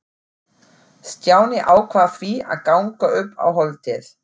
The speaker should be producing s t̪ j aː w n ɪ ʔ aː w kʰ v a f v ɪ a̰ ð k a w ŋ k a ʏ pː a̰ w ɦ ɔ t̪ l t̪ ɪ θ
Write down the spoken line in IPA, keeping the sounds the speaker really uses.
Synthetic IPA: s t̪ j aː w n ɪ ʔ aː w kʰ v a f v i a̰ ð k a w ŋ k a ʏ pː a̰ w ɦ ɔ l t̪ ɪ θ